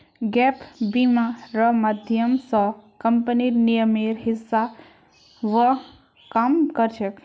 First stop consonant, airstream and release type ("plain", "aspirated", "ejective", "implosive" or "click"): plain